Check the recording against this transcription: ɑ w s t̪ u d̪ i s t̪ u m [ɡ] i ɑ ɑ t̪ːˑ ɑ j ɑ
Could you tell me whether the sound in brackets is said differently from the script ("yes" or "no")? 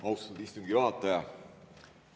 no